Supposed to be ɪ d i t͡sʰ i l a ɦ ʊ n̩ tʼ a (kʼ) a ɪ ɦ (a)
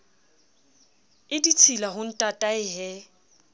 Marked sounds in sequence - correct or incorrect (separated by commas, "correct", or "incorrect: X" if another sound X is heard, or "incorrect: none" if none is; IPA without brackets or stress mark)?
incorrect: tʼ, incorrect: ɛ